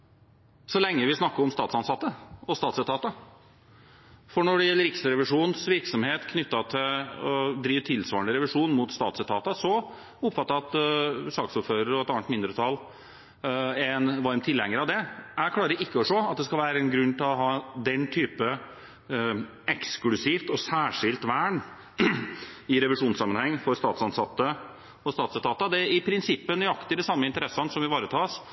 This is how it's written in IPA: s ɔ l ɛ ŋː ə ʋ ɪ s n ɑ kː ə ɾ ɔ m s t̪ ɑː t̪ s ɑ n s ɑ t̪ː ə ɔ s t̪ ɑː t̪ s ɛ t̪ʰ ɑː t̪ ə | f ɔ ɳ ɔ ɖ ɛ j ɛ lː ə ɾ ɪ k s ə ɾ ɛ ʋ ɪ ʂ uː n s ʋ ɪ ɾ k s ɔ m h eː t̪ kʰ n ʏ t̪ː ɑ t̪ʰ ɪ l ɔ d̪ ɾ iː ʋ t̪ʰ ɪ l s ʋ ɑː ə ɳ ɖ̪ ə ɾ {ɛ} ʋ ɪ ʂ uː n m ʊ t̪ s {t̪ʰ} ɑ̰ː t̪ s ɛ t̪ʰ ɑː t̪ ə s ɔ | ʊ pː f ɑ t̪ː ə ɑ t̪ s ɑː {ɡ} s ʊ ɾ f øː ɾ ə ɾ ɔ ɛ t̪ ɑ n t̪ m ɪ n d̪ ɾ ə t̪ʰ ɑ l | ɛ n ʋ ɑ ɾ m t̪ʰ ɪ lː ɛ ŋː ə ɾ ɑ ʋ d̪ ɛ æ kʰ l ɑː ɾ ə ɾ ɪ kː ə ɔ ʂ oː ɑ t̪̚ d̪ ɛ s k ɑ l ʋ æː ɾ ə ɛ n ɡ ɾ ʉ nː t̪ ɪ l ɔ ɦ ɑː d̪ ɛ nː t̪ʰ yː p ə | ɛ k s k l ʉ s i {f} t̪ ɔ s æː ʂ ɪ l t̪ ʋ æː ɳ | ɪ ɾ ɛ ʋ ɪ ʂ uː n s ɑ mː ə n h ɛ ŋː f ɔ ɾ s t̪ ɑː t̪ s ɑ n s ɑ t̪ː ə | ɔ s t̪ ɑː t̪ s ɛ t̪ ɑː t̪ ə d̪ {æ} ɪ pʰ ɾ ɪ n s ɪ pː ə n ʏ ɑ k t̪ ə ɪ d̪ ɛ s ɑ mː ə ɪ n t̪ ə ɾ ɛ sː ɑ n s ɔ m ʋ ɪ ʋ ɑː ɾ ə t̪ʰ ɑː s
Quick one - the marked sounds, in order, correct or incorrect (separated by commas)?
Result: correct, incorrect, incorrect, correct, incorrect